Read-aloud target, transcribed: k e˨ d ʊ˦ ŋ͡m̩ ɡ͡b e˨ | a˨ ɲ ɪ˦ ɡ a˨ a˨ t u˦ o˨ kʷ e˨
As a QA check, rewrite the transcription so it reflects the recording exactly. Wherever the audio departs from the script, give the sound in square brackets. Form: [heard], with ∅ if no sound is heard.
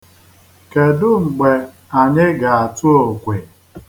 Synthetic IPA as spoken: k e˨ d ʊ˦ ŋ͡m̩ ɡ͡b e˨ | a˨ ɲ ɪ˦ ɡ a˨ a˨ t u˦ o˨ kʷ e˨